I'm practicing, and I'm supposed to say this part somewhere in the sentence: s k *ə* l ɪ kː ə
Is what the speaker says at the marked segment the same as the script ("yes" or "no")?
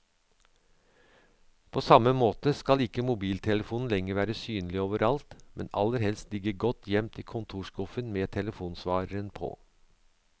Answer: no